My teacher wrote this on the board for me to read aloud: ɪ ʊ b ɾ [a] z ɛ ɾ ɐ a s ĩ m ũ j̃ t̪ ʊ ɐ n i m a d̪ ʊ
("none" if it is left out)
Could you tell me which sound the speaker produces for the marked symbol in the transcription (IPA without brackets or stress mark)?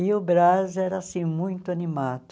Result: a